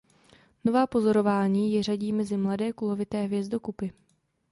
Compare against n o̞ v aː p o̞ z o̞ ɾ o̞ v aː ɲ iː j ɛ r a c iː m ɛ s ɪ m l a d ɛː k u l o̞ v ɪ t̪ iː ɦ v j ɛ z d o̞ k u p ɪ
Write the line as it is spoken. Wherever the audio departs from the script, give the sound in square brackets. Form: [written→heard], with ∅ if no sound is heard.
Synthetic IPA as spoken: n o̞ v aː p o̞ z o̞ ɾ o̞ v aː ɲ iː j ɛ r a [c→ɟ] iː m ɛ [s→z] ɪ m l a d ɛː k u l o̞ v ɪ t̪ [iː→ɛː] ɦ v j ɛ z d o̞ k u p ɪ

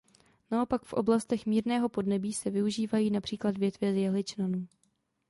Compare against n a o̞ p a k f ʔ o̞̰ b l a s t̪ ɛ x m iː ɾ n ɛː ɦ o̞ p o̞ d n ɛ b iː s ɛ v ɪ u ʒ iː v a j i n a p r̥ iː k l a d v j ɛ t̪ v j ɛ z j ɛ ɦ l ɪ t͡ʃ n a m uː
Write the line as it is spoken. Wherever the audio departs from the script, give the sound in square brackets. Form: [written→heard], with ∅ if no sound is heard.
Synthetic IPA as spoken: n a o̞ p a k f ʔ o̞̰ b l a s t̪ ɛ x m iː ɾ n ɛː ɦ o̞ p o̞ d n ɛ b iː s ɛ v ɪ u ʒ iː v a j [i→iː] n a p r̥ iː k l a d v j ɛ t̪ v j ɛ z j ɛ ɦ l ɪ t͡ʃ n a [m→n] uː

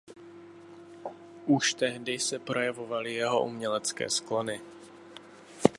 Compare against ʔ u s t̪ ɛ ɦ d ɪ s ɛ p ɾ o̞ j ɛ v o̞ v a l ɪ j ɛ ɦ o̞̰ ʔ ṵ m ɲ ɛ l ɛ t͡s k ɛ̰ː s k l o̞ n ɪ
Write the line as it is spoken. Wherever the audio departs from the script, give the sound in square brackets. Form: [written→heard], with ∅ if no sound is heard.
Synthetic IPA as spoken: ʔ u [s→ʃ] t̪ ɛ ɦ d ɪ s ɛ p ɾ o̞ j ɛ v o̞ v a l ɪ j ɛ ɦ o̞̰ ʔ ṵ m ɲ ɛ l ɛ t͡s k ɛ̰ː s k l o̞ n ɪ

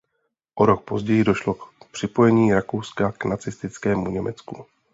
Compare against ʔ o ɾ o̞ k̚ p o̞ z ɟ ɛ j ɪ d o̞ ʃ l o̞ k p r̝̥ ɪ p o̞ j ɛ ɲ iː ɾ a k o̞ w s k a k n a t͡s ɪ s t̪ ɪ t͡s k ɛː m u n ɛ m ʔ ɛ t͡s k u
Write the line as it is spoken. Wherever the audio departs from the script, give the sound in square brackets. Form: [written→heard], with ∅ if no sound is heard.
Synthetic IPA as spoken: ʔ o ɾ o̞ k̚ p o̞ z ɟ ɛ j ɪ d o̞ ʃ l o̞ k p r̝̥ ɪ p o̞ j ɛ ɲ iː ɾ a k o̞ w s k a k n a t͡s ɪ s t̪ ɪ t͡s k ɛː m u [n→ɲ] ɛ m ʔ ɛ t͡s k u

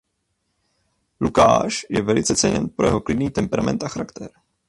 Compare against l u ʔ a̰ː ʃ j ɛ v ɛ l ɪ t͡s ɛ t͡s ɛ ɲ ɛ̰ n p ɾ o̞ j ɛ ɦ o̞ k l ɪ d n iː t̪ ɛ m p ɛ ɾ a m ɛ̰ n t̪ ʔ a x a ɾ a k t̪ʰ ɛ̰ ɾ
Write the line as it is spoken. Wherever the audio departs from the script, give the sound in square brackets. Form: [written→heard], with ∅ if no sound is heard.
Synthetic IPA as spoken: l u [ʔ→k] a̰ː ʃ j ɛ v ɛ l ɪ t͡s ɛ t͡s ɛ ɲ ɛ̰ n p ɾ o̞ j ɛ ɦ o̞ k l ɪ d n iː t̪ ɛ m p ɛ ɾ a m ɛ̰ n t̪ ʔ a x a ɾ a k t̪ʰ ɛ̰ ɾ

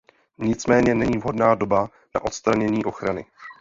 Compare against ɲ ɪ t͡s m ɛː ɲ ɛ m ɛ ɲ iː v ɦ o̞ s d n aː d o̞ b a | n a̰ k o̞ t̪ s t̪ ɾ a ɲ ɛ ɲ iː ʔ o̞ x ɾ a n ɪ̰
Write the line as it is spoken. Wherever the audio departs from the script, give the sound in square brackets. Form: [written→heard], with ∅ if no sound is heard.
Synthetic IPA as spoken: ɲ ɪ t͡s m ɛː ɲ ɛ [m→n] ɛ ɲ iː v ɦ o̞ [s→∅] d n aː d o̞ b a | n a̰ [k→ʔ] o̞ t̪ s t̪ ɾ a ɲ ɛ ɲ iː ʔ o̞ x ɾ a n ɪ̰

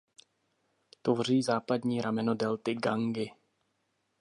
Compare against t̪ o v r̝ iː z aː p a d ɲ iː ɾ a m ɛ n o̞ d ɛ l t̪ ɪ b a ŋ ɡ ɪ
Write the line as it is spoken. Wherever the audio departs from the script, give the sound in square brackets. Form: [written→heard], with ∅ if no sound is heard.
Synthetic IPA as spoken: t̪ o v r̝ iː z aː p a d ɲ iː ɾ a m ɛ n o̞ d ɛ l t̪ ɪ [b→ɡ] a ŋ ɡ ɪ

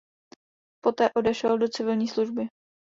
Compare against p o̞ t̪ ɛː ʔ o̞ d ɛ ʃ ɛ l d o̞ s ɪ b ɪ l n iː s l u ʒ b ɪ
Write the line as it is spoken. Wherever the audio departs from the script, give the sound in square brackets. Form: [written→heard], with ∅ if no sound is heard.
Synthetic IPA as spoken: p o̞ t̪ ɛː ʔ o̞ d ɛ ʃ ɛ l d o̞ [s→t͡s] ɪ [b→v] ɪ l [n→ɲ] iː s l u ʒ b ɪ

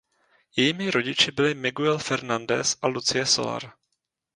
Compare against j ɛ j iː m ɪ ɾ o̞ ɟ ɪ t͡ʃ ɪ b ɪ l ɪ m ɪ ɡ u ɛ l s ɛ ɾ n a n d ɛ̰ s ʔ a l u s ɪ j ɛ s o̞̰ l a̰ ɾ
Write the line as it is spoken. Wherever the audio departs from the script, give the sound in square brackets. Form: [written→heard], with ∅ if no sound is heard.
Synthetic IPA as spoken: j ɛ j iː m ɪ ɾ o̞ ɟ ɪ t͡ʃ ɪ b ɪ l ɪ m ɪ ɡ u ɛ l [s→f] ɛ ɾ n a n d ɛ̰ s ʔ a l u [s→t͡s] ɪ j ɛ s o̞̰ l a̰ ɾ

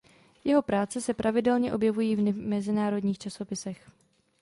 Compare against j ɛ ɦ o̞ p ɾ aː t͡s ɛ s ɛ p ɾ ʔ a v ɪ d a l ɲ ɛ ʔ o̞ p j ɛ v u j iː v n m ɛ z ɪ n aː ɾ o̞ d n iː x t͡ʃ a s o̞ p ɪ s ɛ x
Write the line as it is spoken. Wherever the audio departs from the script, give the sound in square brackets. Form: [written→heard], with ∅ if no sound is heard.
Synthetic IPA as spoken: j ɛ ɦ o̞ p ɾ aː t͡s ɛ s ɛ p ɾ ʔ a v ɪ d [a→ɛ] l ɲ ɛ ʔ o̞ [p→b] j ɛ v u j iː v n m ɛ z ɪ n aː ɾ o̞ d [n→ɲ] iː x t͡ʃ a s o̞ p ɪ s ɛ x

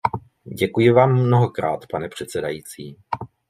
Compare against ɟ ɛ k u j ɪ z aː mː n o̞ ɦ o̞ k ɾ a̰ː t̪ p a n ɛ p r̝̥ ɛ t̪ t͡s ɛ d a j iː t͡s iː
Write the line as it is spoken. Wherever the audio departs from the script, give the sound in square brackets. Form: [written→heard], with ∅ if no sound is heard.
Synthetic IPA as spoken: ɟ ɛ k u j ɪ [z→v] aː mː n o̞ ɦ o̞ k ɾ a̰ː t̪ p a n ɛ p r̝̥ ɛ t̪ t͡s ɛ d a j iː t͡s iː

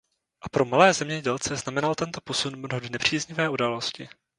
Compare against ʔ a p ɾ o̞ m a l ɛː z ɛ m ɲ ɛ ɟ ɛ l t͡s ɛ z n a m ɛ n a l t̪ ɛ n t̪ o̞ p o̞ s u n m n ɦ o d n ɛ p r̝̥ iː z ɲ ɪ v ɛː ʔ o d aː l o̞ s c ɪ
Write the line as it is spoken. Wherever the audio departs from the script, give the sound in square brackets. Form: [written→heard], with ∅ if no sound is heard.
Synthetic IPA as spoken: ʔ a p ɾ o̞ m a l ɛː z ɛ m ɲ ɛ ɟ ɛ l t͡s ɛ z n a m ɛ n a l t̪ ɛ n t̪ o̞ p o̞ s u n m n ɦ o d n ɛ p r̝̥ iː z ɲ ɪ v ɛː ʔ [o→u] d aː l o̞ s c ɪ

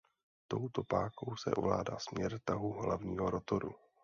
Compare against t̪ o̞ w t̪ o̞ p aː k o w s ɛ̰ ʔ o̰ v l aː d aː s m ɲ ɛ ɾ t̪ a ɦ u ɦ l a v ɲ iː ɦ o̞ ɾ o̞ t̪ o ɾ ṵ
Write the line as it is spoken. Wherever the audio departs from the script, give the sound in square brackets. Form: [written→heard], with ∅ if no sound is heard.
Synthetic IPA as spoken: t̪ o̞ w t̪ o̞ p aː k o w s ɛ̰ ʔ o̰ v l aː d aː s m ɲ ɛ ɾ t̪ a ɦ u ɦ l a v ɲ iː ɦ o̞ ɾ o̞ t̪ o ɾ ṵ

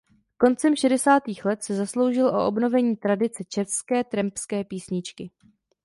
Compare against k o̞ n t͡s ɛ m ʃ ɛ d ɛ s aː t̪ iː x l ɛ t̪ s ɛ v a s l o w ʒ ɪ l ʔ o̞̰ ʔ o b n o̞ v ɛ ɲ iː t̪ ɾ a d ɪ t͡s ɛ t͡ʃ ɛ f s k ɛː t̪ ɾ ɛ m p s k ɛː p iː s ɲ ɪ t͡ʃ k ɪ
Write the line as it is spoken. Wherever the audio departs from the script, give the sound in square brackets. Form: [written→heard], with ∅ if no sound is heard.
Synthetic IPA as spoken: k o̞ n t͡s ɛ m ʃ ɛ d ɛ s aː t̪ iː x l ɛ t̪ s ɛ [v→z] a s l o w ʒ ɪ l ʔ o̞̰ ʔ o b n o̞ v ɛ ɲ iː t̪ ɾ a d ɪ t͡s ɛ t͡ʃ ɛ f s k ɛː t̪ ɾ ɛ m p s k ɛː p iː s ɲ ɪ t͡ʃ k ɪ

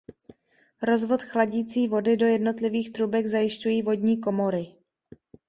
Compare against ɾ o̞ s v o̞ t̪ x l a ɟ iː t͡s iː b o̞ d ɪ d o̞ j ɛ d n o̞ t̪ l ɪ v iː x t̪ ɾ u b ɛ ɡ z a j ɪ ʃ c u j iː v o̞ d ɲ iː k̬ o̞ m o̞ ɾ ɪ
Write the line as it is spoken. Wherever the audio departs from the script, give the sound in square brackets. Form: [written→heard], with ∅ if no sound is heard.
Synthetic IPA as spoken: ɾ o̞ [s→z] v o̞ t̪ x l a ɟ iː t͡s iː [b→v] o̞ d ɪ d o̞ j ɛ d n o̞ t̪ l ɪ v iː x t̪ ɾ u b ɛ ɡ z a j ɪ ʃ c u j iː v o̞ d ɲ iː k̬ o̞ m o̞ ɾ ɪ

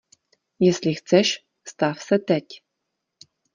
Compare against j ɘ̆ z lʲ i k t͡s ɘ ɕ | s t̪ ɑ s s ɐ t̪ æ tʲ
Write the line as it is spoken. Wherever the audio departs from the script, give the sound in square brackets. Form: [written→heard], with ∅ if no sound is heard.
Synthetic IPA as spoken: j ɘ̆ [z→s] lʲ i [k→x] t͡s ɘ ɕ | s t̪ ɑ [s→f] s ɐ t̪ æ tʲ

